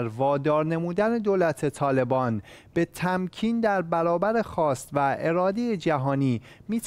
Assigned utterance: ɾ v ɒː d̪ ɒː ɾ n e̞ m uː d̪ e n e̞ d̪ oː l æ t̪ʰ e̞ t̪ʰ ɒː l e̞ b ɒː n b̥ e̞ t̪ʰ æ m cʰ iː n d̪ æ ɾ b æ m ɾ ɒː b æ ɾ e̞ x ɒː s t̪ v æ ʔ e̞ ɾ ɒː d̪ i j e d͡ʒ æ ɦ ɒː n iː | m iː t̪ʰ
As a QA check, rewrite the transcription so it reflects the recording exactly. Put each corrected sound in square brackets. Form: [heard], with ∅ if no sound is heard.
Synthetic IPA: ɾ v ɒː d̪ ɒː ɾ n e̞ m uː d̪ [æ] n e̞ d̪ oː l æ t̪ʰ e̞ t̪ʰ ɒː l e̞ b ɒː n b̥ e̞ t̪ʰ æ m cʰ iː n d̪ æ ɾ b æ [∅] ɾ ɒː b æ ɾ e̞ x ɒː s t̪ v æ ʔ e̞ ɾ ɒː d̪ [e] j e d͡ʒ æ ɦ ɒː n iː | m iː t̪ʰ